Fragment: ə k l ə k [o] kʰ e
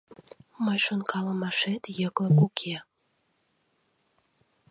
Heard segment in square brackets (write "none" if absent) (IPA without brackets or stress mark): u